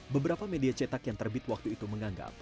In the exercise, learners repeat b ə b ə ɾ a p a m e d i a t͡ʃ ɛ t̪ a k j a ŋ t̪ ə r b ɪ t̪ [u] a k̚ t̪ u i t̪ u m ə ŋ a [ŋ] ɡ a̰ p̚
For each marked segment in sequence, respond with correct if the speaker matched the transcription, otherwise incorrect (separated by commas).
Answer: incorrect, correct